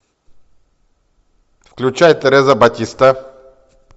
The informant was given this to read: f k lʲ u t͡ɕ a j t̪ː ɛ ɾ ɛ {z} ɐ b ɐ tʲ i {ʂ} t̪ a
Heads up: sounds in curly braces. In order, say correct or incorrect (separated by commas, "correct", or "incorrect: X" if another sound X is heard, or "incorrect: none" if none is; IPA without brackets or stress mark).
correct, incorrect: s